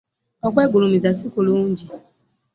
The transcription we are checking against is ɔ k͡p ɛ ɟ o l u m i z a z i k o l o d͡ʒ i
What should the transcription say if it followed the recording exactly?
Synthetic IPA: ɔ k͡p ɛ ɡ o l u m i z a s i k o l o d͡ʒ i